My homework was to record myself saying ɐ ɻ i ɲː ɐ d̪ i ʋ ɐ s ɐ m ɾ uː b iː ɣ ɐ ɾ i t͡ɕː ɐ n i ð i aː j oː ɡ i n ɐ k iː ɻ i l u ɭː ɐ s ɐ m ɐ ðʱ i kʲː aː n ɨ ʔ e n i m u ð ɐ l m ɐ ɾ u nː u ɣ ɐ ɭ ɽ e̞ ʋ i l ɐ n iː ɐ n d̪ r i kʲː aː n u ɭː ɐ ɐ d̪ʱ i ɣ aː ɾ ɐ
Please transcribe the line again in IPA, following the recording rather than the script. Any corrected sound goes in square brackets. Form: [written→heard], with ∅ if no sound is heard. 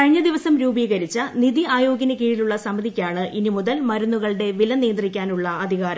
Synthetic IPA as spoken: ɐ ɻ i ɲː ɐ d̪ i ʋ ɐ s ɐ m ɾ uː b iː ɣ ɐ ɾ i t͡ɕː ɐ n i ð i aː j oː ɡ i n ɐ k iː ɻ i l u ɭː ɐ s ɐ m ɐ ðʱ i kʲː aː [n→ɳ] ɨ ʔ [e→i] n i m u ð ɐ l m ɐ ɾ u nː u ɣ ɐ ɭ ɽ e̞ ʋ i l ɐ n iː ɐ n d̪ r i kʲː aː n u ɭː ɐ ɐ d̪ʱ i ɣ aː ɾ ɐ